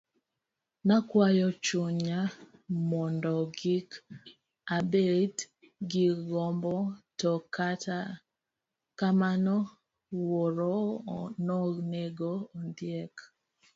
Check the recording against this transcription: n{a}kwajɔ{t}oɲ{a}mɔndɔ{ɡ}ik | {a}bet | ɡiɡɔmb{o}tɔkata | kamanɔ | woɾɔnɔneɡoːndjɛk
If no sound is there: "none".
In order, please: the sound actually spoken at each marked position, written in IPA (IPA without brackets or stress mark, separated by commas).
a, t͡ʃ, a, ɡ, a, ɔ